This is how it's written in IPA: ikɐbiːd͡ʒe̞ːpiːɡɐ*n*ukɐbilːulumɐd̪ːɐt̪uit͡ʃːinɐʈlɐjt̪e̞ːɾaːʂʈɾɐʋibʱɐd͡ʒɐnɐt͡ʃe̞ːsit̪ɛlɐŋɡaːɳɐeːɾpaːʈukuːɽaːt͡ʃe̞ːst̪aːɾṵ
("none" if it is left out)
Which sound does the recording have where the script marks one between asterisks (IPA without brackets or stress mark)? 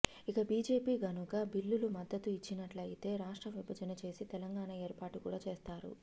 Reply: n